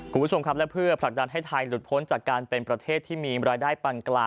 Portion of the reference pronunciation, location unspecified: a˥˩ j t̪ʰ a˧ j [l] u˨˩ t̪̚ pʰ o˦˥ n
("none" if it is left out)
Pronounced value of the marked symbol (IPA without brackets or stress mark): l